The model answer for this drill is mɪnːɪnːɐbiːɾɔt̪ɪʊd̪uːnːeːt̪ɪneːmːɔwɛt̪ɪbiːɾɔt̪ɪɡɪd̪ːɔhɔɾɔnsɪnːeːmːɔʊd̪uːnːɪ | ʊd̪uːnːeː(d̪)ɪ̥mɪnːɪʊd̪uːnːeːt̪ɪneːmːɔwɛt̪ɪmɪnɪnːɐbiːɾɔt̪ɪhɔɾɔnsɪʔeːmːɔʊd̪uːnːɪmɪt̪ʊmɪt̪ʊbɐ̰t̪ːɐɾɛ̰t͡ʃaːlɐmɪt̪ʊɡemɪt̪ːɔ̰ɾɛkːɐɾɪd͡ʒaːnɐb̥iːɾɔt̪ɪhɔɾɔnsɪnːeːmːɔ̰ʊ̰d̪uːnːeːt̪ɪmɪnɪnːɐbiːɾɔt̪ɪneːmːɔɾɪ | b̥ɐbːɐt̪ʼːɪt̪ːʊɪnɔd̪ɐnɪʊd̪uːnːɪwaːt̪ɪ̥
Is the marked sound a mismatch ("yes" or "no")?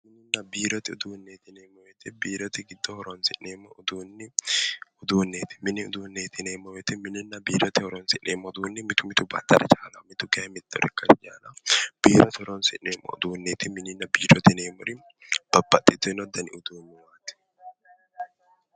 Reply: yes